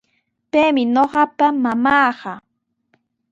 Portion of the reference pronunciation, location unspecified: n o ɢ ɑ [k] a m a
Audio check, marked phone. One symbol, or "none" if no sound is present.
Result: p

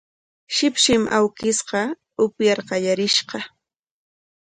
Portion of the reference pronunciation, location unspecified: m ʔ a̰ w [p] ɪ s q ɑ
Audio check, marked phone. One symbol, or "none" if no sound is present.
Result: k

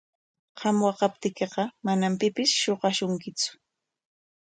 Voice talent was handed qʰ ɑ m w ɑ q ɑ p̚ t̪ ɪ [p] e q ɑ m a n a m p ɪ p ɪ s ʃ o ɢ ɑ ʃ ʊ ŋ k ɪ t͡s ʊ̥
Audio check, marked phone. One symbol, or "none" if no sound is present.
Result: k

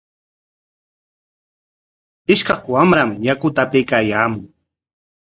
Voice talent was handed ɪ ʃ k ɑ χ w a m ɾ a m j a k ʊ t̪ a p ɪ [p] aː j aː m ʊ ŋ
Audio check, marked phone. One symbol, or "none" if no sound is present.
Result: k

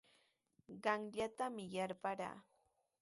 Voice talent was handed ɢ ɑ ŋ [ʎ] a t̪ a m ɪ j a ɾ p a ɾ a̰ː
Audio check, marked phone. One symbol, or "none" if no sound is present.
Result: ʎ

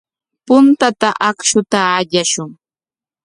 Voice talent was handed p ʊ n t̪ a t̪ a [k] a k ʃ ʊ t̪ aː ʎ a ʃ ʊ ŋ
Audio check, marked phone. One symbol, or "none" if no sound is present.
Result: ʔ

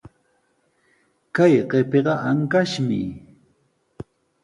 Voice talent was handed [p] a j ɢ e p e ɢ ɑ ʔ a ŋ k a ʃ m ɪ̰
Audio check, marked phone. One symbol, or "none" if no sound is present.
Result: k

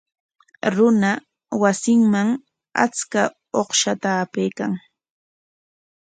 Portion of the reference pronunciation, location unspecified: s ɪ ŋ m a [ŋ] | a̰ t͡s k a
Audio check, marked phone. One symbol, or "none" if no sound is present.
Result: ŋ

